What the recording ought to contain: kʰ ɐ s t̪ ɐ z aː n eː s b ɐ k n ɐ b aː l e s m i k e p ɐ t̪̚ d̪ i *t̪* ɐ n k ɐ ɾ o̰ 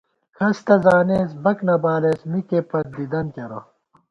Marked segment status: incorrect: d̪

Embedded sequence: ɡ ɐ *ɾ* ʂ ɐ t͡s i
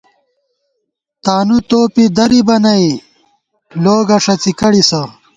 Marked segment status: incorrect: none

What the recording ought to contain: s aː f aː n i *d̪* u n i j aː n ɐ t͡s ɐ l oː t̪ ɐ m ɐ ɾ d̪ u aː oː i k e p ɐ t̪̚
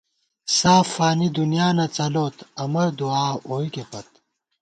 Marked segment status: correct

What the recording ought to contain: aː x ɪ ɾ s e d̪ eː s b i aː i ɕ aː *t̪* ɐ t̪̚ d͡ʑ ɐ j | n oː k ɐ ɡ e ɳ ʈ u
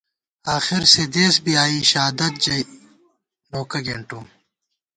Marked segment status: incorrect: d̪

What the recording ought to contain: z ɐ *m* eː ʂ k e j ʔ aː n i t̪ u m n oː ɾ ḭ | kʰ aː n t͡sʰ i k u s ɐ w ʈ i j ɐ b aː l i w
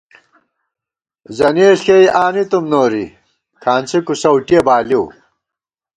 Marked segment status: incorrect: n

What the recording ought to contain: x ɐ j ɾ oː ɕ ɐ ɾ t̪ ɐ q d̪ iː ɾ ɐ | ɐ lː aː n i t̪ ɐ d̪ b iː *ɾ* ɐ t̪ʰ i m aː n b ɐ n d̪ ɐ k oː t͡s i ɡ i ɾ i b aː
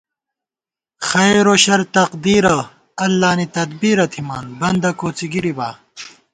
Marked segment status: correct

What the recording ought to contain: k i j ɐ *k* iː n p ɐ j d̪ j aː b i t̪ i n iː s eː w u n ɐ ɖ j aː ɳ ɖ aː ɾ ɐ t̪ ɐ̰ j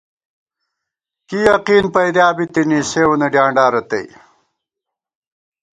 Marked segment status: incorrect: q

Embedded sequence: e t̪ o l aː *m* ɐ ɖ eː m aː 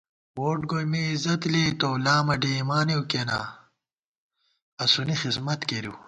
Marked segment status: correct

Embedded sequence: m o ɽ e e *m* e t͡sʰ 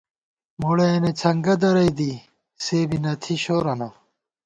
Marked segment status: incorrect: n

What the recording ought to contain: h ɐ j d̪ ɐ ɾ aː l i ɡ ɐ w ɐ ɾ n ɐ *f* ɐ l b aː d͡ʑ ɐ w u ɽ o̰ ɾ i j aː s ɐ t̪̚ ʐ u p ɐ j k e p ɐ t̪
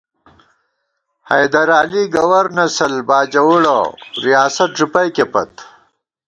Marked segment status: incorrect: s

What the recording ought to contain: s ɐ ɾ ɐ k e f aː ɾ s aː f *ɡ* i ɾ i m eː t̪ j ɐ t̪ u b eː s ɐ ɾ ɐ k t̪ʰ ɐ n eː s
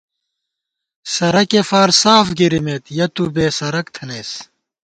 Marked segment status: correct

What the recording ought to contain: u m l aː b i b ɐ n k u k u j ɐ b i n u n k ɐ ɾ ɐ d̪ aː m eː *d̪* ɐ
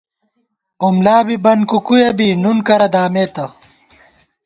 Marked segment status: incorrect: t̪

